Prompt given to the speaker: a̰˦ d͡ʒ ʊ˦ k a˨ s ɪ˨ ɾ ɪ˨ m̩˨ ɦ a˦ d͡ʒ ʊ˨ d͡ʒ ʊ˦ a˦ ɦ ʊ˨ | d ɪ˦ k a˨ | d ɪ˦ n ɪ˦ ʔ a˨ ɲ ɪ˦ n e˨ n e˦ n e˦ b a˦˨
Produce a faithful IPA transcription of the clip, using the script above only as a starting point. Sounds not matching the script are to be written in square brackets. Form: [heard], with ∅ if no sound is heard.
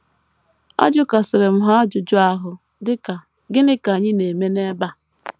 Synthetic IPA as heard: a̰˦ d͡ʒ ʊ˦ k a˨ s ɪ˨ ɾ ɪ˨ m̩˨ ɦ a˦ d͡ʒ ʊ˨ d͡ʒ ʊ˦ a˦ ɦ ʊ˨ | d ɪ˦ k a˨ | [ɡ] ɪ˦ n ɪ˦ [k] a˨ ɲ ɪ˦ n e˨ [m] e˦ n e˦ b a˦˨